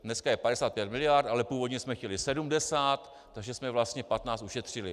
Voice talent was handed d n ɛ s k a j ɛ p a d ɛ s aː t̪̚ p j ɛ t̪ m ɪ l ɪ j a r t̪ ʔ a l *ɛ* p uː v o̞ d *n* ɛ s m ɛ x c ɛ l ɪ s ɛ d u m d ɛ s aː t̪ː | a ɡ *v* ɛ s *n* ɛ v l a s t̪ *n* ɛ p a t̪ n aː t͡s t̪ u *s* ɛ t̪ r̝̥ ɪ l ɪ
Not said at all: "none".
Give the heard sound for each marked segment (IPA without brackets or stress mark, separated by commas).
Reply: ɛ, ɲ, ʒ, m, ɲ, ʃ